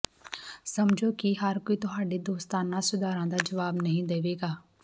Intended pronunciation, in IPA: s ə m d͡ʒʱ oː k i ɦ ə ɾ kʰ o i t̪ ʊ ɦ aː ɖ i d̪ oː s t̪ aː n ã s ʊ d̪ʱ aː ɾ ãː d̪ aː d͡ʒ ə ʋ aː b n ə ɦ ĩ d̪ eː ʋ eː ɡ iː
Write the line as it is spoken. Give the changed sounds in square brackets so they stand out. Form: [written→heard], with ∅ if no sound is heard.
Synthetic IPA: s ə m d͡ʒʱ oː k i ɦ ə ɾ [kʰ→k] o i t̪ ʊ ɦ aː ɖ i d̪ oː s t̪ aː n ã s ʊ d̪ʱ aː ɾ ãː d̪ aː d͡ʒ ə ʋ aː b n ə ɦ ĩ d̪ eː ʋ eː ɡ [iː→aː]